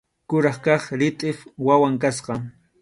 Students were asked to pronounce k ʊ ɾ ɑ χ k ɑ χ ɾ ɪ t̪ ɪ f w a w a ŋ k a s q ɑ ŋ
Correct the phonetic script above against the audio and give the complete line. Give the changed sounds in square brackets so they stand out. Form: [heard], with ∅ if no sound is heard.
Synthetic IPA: k ʊ ɾ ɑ χ k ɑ χ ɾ ɪ [t̪ʼ] ɪ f w a w a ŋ k a s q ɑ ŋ